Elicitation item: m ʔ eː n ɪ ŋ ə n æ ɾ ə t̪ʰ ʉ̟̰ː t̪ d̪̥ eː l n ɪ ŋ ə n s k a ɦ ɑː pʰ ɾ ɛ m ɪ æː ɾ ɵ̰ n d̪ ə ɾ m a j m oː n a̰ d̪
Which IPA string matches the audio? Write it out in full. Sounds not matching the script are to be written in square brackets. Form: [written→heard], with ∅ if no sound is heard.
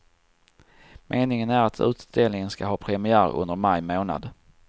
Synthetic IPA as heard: m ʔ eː n ɪ ŋ ə n æ ɾ [ə→a] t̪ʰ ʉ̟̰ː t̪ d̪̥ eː l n ɪ ŋ ə n s k a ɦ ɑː pʰ ɾ ɛ m ɪ æː ɾ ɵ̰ n d̪ ə ɾ m a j m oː n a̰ d̪